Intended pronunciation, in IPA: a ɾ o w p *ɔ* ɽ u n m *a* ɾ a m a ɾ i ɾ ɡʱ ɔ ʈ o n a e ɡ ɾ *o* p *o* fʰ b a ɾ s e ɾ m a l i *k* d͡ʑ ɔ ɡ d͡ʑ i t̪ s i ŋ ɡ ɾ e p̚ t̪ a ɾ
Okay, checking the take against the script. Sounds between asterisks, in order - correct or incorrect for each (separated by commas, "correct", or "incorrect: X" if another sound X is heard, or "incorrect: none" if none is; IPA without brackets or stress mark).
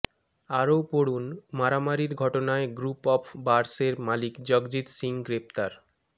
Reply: incorrect: o, correct, incorrect: u, incorrect: ɔ, correct